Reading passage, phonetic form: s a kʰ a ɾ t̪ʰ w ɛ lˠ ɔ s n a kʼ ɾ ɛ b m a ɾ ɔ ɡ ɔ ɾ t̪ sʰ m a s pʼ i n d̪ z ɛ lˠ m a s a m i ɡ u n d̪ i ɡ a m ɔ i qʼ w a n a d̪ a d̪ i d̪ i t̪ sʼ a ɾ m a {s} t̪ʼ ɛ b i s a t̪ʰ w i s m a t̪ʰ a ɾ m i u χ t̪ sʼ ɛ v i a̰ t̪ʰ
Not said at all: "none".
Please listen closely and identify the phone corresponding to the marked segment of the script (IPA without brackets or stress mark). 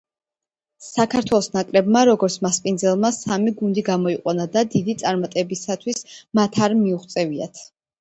none